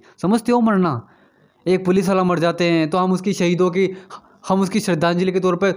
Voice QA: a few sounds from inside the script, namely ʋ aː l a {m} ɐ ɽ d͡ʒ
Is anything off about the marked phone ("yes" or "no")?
no